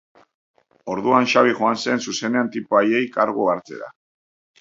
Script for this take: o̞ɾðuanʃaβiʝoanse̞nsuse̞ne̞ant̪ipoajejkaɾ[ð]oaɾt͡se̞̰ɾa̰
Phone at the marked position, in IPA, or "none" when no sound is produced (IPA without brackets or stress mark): ɣ